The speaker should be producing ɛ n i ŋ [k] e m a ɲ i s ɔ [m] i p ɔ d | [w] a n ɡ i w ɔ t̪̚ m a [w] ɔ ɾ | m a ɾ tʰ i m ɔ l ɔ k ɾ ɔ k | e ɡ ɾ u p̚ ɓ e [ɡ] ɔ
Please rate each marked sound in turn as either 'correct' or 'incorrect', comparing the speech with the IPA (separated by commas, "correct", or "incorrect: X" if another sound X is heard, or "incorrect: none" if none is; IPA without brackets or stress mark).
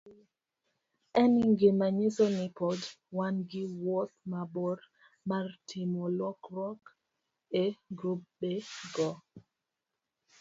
incorrect: ɡ, incorrect: n, correct, incorrect: b, correct